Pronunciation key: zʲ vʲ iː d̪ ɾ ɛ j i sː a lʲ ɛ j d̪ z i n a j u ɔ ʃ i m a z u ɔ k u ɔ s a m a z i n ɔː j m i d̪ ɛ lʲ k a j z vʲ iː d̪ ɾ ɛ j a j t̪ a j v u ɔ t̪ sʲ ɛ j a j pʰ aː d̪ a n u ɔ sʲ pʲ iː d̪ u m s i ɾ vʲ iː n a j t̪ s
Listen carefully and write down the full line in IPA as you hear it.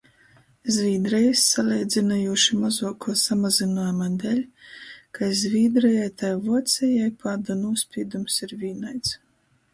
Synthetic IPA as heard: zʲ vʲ iː d̪ ɾ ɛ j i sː a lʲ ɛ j d̪ z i n a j u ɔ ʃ i m a z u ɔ k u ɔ s a m a z i n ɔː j m a d̪ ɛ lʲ k a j z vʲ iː d̪ ɾ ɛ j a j t̪ a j v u ɔ t̪ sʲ ɛ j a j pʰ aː d̪ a n u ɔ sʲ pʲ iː d̪ u m s i ɾ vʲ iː n a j t̪ s

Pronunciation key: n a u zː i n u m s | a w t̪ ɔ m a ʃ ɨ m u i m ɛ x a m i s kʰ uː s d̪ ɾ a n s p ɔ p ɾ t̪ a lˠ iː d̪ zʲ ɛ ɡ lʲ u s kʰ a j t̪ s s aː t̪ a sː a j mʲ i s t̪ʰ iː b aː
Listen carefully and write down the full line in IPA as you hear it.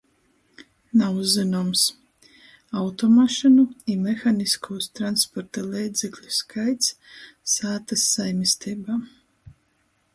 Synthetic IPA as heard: n a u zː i n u m s | a w t̪ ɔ m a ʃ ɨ n u i m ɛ x a n i s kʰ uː s t̪ ɾ a n s p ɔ ɾ t̪ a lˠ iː d̪ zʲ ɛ k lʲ u s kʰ a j t̪ s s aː t̪ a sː a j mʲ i s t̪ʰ iː b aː

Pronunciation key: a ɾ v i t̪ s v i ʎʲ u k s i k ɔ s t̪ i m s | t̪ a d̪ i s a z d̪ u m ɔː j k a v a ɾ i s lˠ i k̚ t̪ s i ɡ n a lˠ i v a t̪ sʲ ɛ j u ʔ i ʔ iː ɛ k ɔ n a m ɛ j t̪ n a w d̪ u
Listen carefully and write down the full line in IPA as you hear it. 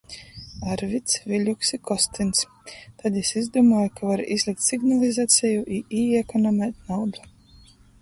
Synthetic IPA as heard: a ɾ v i t̪ s v i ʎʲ u k s i k ɔ s t̪ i n s | t̪ a d̪ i s i z d̪ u m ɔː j k a v a ɾ i z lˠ i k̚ t̪ s i ɡ n a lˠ i z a t̪ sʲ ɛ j u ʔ i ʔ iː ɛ k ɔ n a m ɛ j t̪ n a w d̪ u

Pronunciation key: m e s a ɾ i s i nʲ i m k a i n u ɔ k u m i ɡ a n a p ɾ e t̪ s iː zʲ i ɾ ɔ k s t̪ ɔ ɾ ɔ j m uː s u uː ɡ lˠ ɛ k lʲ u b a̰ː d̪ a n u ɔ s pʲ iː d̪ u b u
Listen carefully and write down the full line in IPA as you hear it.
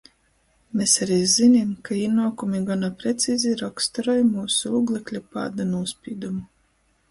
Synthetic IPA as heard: m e s a ɾ i z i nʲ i m k a i n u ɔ k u m i ɡ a n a p ɾ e t̪ s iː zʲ i ɾ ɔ k s t̪ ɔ ɾ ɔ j m uː s u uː ɡ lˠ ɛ k lʲ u p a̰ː d̪ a n u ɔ s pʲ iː d̪ u m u

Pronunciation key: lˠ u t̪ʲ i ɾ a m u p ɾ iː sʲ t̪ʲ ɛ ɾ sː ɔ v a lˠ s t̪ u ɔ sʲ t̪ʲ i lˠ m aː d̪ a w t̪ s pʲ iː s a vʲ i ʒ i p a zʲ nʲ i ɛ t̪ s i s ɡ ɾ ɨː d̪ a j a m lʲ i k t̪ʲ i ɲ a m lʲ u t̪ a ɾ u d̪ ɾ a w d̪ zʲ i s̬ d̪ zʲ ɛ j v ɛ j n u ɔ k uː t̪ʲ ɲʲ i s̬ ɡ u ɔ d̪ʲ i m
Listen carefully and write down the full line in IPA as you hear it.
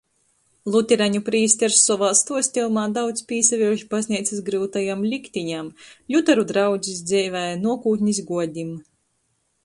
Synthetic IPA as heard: lˠ u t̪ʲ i ɾ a ɲ u p ɾ iː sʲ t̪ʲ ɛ ɾ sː ɔ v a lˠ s t̪ u ɔ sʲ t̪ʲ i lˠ m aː d̪ a w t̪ s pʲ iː s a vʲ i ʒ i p a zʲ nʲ i ɛ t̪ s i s ɡ ɾ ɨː t̪ a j a m lʲ i k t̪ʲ i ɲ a m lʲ u t̪ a ɾ u d̪ ɾ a w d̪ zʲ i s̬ d̪ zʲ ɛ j v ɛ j n u ɔ k uː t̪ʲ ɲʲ i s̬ ɡ u ɔ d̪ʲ i m

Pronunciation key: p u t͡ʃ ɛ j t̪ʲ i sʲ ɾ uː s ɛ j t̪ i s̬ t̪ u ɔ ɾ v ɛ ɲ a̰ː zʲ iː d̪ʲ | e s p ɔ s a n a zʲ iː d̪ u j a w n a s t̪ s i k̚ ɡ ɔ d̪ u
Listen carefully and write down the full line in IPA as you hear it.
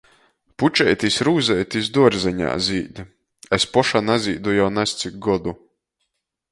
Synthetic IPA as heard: p u t͡ʃ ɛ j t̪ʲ i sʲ ɾ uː z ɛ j t̪ i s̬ d̪ u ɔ ɾ z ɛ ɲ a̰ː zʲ iː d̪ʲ | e s p ɔ ʃ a n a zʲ iː d̪ u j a w n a s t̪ s i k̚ ɡ ɔ d̪ u

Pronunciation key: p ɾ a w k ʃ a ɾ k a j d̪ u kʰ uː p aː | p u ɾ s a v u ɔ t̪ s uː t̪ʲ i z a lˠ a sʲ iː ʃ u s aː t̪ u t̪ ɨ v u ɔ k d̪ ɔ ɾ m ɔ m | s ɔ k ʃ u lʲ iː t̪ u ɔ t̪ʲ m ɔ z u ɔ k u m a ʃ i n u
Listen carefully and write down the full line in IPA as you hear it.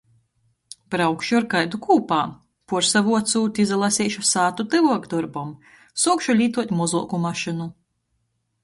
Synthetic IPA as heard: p ɾ a w k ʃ a ɾ k a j d̪ u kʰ uː p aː | p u ɾ s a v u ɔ t̪ s uː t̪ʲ i z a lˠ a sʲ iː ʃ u s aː t̪ u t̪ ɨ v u ɔ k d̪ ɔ ɾ b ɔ m | s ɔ k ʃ u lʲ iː t̪ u ɔ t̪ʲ m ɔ z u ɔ k u m a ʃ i n u

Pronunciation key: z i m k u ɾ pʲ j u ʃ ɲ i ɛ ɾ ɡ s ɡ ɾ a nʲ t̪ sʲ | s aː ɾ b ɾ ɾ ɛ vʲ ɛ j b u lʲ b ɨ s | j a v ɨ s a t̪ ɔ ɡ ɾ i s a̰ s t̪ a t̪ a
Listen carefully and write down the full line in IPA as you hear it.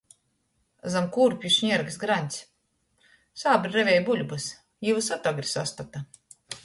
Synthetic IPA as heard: z a m k u ɾ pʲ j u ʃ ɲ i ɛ ɾ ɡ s ɡ ɾ a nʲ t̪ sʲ | s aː b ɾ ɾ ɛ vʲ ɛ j b u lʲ b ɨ s | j i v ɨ s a t̪ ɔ ɡ ɾ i s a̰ s t̪ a t̪ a

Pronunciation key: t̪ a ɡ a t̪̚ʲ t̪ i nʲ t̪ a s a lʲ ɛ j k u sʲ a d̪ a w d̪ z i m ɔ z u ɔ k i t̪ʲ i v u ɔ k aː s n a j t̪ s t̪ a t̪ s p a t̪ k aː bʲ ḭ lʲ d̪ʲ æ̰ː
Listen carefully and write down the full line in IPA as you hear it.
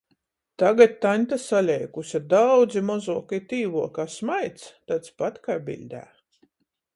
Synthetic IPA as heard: t̪ a ɡ a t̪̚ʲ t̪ a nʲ t̪ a s a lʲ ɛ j k u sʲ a d̪ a w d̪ z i m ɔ z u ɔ k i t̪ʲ iː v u ɔ k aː s m a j t̪ s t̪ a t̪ s p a t̪ k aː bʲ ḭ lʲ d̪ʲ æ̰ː

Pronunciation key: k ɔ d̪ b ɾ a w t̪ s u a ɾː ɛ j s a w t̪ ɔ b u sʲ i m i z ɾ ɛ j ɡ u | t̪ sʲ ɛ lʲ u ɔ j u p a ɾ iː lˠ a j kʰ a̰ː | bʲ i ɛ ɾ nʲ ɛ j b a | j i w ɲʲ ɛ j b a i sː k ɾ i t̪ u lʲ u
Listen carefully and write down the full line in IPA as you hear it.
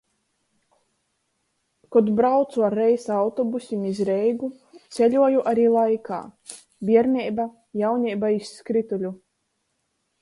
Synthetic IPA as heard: k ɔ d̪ b ɾ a w t̪ s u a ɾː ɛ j s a w t̪ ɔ b u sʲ i m i z ɾ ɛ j ɡ u | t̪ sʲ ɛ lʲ u ɔ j u ʔ a ɾ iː lˠ a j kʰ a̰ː | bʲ i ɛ ɾ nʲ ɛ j b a | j a w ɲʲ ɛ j b a i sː k ɾ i t̪ u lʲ u

